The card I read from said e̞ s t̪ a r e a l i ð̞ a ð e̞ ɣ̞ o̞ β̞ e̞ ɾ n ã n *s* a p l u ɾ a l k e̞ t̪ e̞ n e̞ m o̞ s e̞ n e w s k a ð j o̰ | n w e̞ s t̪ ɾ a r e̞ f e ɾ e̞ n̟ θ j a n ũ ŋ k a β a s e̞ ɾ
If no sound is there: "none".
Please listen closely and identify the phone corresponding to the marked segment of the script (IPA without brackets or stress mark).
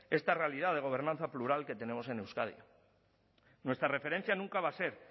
θ